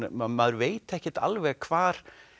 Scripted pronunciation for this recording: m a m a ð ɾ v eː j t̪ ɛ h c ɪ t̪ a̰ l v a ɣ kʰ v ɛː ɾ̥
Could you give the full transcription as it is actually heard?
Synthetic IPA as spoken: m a m a ð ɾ v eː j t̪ ɛ h c ɪ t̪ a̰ l v ɛ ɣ kʰ v aː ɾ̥